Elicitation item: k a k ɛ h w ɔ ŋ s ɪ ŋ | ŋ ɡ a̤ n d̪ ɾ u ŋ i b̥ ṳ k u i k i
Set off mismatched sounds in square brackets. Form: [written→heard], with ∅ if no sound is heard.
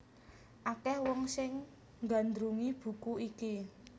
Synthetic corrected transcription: [k→ʔ] a k ɛ h w ɔ ŋ s ɪ ŋ | ŋ ɡ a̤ n d̪ ɾ u ŋ i b̥ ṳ k u i k i